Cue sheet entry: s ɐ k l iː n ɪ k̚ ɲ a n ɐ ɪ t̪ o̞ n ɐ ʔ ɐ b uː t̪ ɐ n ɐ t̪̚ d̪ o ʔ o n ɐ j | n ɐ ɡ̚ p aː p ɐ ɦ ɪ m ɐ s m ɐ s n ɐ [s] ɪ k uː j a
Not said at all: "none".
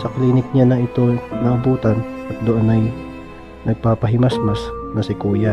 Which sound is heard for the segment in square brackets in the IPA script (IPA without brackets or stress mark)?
s